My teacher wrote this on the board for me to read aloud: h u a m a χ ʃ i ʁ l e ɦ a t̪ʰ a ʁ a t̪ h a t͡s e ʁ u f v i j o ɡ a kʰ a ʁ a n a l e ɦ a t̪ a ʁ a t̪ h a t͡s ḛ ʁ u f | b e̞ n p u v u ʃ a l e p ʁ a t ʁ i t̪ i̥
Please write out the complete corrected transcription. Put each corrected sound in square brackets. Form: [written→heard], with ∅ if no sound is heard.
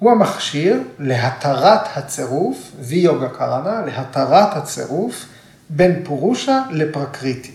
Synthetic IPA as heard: h u a m a χ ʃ i ʁ l e ɦ a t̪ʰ a ʁ a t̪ h a t͡s e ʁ u f v i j o ɡ a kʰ a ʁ a n a l e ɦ a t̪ a ʁ a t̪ h a t͡s ḛ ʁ u f | b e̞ n p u [v→ʁ] u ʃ a l e p ʁ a [t→k] ʁ i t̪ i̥